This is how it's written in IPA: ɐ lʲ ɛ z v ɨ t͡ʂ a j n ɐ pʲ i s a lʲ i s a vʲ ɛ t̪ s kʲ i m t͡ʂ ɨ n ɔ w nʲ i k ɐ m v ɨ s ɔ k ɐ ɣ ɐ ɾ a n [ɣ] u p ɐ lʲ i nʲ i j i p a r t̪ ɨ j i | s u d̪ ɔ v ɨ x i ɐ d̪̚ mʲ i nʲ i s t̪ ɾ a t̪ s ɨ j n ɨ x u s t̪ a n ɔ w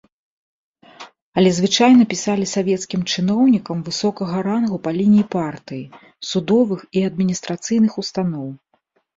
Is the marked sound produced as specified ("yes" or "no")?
yes